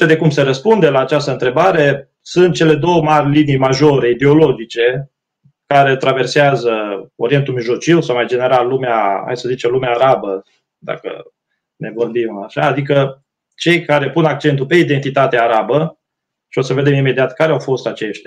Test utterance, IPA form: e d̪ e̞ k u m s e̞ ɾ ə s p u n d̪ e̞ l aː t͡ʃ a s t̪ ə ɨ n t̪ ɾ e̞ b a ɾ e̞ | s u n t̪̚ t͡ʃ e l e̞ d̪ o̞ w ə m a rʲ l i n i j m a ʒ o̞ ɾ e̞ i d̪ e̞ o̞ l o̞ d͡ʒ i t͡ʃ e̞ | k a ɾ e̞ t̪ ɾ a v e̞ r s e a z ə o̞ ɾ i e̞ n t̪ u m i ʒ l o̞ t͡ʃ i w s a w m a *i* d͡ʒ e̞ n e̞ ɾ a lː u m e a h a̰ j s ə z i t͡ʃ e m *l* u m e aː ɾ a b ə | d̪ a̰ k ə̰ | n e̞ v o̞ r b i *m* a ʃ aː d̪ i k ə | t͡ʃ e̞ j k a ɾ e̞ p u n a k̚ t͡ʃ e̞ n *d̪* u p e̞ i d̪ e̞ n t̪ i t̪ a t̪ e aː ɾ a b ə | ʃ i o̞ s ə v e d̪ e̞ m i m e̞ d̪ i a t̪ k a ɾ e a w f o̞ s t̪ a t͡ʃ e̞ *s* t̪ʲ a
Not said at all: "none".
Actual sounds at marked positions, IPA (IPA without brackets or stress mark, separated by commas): j, l, m, t̪, ʃ